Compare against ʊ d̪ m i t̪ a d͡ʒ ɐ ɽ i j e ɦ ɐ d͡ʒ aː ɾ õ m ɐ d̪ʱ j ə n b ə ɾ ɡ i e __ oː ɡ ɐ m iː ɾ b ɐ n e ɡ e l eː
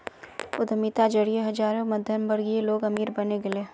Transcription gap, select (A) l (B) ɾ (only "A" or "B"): A